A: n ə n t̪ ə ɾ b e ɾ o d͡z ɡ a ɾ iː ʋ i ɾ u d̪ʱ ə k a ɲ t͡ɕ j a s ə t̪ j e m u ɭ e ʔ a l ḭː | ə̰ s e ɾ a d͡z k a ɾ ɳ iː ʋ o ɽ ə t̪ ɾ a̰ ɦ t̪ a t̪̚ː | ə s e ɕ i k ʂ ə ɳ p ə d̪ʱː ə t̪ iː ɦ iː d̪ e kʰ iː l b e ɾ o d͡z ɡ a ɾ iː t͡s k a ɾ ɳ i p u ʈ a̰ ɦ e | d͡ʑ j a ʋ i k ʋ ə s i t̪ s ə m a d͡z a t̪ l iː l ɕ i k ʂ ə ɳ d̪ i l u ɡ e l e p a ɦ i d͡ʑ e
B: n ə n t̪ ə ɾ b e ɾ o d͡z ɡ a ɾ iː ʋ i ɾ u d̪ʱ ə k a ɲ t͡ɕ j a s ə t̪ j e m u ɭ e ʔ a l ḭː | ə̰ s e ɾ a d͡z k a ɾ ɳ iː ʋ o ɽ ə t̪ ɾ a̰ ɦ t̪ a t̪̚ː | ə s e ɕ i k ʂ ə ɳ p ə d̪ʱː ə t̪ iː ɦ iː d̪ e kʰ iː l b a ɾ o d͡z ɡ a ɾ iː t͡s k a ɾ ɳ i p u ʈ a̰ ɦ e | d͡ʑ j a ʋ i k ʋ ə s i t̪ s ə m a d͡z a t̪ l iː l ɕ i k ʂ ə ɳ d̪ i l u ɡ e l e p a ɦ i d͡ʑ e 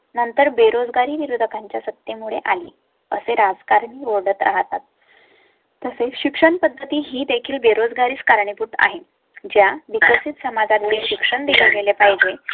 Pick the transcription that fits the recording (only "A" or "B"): A